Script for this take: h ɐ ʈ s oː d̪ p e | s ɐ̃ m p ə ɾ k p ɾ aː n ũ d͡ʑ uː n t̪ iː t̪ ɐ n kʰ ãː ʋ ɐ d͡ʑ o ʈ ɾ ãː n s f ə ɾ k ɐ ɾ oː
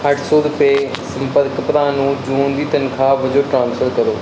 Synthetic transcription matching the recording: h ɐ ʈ s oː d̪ p e | s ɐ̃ m p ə ɾ k p ɾ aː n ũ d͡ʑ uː n d̪ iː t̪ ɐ n kʰ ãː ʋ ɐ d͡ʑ o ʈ ɾ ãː n s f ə ɾ k ɐ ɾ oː

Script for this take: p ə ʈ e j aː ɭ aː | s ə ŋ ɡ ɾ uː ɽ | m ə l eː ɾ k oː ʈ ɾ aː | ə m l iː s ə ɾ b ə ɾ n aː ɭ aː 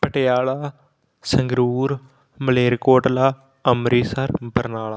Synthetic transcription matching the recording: p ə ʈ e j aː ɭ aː | s ə ŋ ɡ ɾ uː ɾ | m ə l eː ɾ k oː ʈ l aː | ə m ɾ iː s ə ɾ b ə ɾ n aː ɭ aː

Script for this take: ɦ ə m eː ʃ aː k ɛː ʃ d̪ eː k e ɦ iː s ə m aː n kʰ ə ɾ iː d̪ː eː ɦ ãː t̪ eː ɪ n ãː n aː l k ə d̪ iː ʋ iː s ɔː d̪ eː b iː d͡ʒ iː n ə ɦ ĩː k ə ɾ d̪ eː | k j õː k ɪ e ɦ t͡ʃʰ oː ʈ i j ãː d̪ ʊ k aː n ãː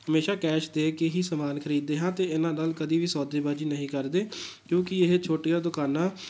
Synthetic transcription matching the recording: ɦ ə m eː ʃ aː k ɛː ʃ d̪ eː k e ɦ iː s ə m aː n kʰ ə ɾ iː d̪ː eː ɦ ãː t̪ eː ɪ n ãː n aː l k ə d̪ iː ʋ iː s ɔː d̪ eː b aː d͡ʒ iː n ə ɦ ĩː k ə ɾ d̪ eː | k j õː k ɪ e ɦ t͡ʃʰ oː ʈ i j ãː d̪ ʊ k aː n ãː

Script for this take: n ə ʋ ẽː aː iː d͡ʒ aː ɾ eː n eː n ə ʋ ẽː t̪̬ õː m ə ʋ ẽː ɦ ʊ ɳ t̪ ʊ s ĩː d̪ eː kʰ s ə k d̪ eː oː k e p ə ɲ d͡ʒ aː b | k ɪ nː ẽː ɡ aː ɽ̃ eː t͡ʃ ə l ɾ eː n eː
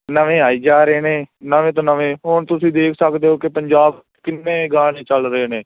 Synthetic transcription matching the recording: n ə ʋ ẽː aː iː d͡ʒ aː ɾ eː n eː n ə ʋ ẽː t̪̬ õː n ə ʋ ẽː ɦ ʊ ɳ t̪ ʊ s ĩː d̪ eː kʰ s ə k d̪ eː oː k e p ə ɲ d͡ʒ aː b | k ɪ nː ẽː ɡ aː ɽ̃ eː t͡ʃ ə l ɾ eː n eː

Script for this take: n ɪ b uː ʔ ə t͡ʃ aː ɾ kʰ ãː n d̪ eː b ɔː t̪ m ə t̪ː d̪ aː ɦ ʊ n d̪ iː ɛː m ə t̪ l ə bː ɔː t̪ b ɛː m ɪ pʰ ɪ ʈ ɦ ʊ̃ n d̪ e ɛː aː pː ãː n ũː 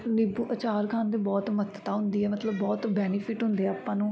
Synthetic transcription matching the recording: n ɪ b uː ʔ ə t͡ʃ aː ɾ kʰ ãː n d̪ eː b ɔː t̪ m ə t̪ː t̪ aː ɦ ʊ n d̪ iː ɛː m ə t̪ l ə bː ɔː t̪ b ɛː n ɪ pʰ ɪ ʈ ɦ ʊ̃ n d̪ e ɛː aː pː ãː n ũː

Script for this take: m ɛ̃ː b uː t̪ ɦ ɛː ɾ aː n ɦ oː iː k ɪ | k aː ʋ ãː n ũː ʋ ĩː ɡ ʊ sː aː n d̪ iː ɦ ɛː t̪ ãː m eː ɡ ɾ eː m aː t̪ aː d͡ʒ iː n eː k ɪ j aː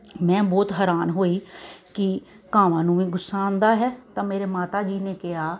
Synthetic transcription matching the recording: m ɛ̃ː b ɔː t̪ ɦ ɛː ɾ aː n ɦ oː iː k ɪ | k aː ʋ ãː n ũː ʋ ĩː ɡ ʊ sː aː n d̪ aː ɦ ɛː t̪ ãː m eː ɾ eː m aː t̪ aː d͡ʒ iː n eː k ɪ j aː

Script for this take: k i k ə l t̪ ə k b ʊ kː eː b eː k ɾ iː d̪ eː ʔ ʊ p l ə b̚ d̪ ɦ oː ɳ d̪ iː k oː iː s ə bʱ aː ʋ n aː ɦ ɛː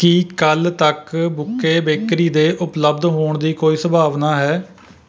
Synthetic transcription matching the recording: k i k ə l t̪ ə k b ʊ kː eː b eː k ɾ iː d̪ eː ʔ ʊ p l ə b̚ d̪ ɦ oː ɳ d̪ iː k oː iː s ə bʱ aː ʋ n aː ɦ ɛː

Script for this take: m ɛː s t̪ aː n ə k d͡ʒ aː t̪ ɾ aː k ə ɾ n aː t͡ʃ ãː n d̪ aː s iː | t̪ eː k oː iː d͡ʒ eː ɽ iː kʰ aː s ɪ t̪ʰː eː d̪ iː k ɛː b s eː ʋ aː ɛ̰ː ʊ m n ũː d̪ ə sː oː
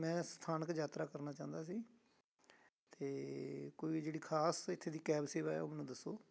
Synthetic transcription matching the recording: m ɛ̃ː s t̪ʰ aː n ə k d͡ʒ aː t̪ ɾ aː k ə ɾ n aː t͡ʃ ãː n d̪ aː s iː | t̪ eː k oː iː d͡ʒ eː ɽ iː kʰ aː s ɪ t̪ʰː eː d̪ iː k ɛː b s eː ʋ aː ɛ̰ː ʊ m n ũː d̪ ə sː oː

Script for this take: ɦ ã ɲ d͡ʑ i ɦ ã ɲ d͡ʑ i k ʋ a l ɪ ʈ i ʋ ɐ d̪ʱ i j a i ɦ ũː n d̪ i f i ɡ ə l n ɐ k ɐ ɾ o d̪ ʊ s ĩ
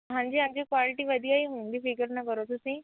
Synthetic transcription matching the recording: ɦ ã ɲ d͡ʑ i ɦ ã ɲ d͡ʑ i k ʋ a l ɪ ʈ i ʋ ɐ d̪ʱ i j a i ɦ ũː n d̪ i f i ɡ ə ɾ n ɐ k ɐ ɾ o t̪ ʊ s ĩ

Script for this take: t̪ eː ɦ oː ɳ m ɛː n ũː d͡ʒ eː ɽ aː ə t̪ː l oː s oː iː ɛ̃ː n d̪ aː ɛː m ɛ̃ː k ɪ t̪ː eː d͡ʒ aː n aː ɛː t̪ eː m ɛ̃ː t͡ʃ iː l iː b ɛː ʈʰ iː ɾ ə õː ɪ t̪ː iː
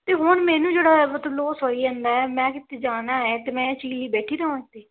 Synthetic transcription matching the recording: t̪ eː ɦ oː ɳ m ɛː n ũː d͡ʒ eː ɽ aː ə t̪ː l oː s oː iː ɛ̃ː n d̪ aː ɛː m ɛ̃ː k ɪ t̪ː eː d͡ʒ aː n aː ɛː t̪ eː m ɛ̃ː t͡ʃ iː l iː b ɛː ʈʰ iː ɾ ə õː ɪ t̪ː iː

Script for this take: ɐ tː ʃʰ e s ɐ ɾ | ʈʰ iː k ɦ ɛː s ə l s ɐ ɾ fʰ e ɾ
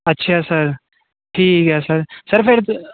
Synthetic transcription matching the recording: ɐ tː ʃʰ a s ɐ ɾ | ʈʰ iː k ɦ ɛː s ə ɾ s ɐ ɾ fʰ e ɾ

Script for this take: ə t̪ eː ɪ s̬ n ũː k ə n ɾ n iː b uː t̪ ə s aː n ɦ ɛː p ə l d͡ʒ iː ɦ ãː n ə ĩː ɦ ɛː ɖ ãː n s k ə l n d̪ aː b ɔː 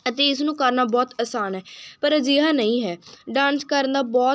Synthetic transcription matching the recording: ə t̪ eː ɪ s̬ n ũː k ə ɾ n aː b ɔː t̪ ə s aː n ɦ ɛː p ə ɾ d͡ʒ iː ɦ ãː n ə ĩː ɦ ɛː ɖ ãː n s k ə ɾ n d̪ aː b ɔː

